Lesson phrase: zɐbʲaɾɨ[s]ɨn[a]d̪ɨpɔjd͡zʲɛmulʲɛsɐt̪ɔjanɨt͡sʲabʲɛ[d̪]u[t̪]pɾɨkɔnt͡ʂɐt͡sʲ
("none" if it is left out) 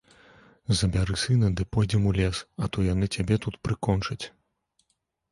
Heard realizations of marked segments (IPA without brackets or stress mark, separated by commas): s, ɐ, t̪, t̪